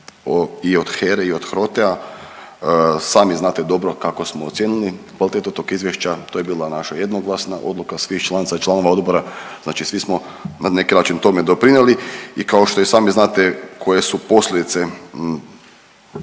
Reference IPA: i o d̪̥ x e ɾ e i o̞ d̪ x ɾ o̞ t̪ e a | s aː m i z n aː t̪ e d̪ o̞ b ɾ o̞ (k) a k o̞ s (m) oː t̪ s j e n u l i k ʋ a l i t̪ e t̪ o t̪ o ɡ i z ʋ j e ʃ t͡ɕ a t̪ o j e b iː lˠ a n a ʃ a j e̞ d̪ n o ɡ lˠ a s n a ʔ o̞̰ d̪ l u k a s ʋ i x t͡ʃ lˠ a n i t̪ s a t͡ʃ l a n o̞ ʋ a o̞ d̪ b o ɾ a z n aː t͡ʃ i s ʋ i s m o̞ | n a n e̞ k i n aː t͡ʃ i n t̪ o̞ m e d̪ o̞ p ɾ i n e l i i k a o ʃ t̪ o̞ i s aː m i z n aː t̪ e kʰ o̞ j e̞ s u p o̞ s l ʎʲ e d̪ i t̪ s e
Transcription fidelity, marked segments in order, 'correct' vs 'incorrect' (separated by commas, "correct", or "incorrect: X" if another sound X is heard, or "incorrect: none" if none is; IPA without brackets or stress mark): correct, correct